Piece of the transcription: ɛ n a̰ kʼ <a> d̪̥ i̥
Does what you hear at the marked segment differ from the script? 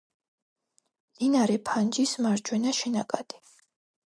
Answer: no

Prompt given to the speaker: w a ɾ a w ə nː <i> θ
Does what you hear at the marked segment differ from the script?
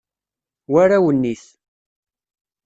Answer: no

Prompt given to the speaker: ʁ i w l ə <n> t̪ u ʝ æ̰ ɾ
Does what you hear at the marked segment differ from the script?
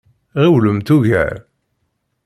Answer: yes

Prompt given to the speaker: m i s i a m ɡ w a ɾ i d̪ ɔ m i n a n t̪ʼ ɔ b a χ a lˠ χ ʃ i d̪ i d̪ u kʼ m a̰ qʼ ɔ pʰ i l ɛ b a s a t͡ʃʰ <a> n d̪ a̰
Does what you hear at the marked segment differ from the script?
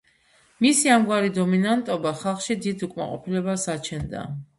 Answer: yes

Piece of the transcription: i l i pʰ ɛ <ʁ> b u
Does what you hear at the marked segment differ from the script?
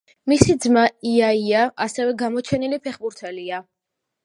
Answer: yes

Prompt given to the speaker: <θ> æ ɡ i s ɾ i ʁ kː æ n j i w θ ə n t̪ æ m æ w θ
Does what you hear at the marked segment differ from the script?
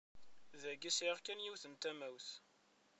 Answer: yes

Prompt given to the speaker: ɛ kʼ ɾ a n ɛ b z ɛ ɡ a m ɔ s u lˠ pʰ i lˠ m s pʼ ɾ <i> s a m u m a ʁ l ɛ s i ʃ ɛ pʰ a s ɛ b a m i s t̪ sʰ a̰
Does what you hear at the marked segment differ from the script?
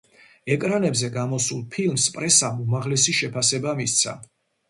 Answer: yes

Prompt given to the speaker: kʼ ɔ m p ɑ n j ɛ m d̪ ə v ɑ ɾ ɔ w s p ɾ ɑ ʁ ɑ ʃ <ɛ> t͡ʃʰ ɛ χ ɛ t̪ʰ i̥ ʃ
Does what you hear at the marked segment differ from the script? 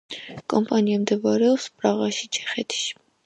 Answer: yes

